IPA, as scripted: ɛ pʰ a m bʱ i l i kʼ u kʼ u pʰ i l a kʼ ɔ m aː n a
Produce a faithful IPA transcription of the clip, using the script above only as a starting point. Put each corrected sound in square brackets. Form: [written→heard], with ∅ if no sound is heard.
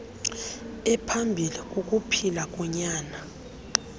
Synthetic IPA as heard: ɛ pʰ a m bʱ i l i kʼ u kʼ u pʰ i l a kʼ ɔ [m→ɲ] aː n a